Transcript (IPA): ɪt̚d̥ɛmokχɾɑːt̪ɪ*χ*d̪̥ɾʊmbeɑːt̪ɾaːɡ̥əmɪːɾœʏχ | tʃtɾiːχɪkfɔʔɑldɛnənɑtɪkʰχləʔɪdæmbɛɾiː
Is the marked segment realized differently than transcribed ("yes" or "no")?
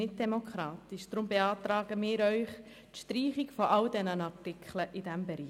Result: yes